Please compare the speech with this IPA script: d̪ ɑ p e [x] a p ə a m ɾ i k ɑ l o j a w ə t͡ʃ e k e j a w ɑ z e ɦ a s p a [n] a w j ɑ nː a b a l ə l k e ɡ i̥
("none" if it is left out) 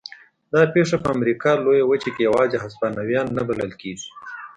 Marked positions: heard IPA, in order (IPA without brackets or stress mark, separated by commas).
ʂ, n